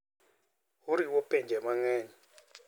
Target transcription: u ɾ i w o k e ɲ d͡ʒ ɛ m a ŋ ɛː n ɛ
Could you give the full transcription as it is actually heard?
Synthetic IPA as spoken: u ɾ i w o p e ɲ d͡ʒ ɛ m a ŋ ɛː ɲ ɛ